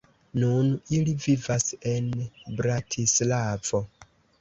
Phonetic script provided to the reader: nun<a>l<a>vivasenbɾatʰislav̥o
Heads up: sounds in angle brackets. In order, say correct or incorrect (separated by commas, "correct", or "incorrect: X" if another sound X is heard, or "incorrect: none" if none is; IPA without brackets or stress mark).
incorrect: i, incorrect: i